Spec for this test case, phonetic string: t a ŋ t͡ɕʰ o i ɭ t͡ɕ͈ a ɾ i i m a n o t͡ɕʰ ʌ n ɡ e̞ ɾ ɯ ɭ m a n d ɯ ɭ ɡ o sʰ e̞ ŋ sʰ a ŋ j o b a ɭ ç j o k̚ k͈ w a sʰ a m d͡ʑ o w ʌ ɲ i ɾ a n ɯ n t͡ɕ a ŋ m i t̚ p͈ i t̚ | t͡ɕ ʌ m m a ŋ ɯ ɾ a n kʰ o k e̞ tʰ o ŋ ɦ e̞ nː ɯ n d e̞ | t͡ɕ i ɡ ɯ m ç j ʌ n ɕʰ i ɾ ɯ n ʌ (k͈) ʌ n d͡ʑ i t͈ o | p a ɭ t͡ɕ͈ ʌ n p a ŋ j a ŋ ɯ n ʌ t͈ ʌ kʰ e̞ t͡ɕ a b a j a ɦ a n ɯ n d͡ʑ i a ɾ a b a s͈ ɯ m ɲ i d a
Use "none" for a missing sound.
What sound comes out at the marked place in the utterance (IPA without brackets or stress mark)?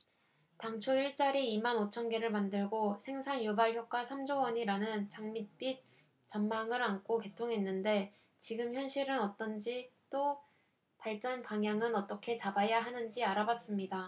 t͈